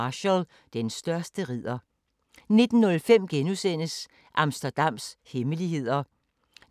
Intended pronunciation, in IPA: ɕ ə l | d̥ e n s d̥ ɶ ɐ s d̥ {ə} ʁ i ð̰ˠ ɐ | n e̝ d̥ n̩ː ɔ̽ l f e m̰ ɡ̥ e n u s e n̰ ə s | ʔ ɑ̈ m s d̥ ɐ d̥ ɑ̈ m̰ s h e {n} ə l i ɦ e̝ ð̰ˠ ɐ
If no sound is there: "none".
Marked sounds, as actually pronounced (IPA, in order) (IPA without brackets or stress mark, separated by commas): ə, m